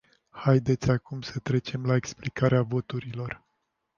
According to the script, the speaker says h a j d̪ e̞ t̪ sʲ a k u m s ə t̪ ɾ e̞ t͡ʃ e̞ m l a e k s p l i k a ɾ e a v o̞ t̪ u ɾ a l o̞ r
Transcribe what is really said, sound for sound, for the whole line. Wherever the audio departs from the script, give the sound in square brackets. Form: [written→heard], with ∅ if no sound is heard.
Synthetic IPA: h a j d̪ e̞ t̪ sʲ a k u m s ə t̪ ɾ e̞ t͡ʃ e̞ m l a e k s p l i k a ɾ e a v o̞ t̪ u ɾ [a→i] l o̞ r